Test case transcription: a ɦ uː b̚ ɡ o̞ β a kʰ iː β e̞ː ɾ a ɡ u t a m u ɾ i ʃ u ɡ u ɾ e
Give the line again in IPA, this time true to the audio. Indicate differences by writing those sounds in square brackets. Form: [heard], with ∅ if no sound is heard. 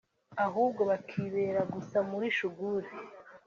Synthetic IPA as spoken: a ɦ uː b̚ ɡ o̞ β a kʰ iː β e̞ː ɾ a ɡ u [s] a m u ɾ i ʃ u ɡ u ɾ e